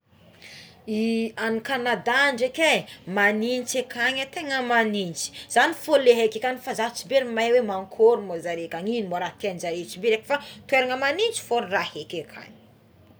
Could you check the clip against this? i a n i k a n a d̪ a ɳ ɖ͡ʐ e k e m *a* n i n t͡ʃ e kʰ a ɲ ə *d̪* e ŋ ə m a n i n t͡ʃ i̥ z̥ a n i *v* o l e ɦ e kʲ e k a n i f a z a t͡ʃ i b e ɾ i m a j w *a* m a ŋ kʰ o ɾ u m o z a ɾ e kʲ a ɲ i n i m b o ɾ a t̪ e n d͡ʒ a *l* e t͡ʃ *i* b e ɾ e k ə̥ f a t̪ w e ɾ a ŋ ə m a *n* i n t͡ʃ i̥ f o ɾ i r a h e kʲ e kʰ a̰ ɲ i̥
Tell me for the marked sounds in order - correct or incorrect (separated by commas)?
correct, incorrect, incorrect, incorrect, incorrect, correct, correct